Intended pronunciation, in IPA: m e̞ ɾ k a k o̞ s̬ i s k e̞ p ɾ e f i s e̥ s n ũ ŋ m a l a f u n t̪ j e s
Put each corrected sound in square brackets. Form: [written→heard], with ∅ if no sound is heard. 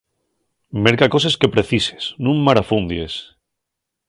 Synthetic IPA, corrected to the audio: m e̞ ɾ k a k o̞ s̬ [i→e] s k e̞ p ɾ e [f→θ] i s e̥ s n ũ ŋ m a [l→ɾ] a f u n [t̪→d̪] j e s